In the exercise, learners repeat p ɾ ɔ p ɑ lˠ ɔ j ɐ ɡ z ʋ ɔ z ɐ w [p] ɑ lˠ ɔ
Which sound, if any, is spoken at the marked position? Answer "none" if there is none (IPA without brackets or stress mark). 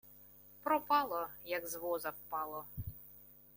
p